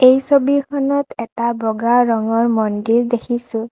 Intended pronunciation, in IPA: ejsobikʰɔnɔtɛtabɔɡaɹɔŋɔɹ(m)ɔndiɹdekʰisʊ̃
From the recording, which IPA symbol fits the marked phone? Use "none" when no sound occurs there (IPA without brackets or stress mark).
m